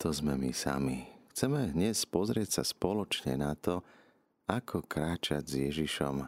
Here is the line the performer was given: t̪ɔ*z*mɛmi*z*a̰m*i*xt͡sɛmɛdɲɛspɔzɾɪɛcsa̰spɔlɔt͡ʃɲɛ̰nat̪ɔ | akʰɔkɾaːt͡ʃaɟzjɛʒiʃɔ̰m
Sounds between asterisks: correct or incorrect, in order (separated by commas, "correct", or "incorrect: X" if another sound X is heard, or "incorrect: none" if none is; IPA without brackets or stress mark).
correct, incorrect: s, correct